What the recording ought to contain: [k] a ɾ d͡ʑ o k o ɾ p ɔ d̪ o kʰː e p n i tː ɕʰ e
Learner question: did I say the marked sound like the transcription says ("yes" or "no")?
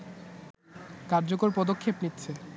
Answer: yes